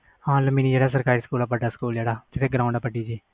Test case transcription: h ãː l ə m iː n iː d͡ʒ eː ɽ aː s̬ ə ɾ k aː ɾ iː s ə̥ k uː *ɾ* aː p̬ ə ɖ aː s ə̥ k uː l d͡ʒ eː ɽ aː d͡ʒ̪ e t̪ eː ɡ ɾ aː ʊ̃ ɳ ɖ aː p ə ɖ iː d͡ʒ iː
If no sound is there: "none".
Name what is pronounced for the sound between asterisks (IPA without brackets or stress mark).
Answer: l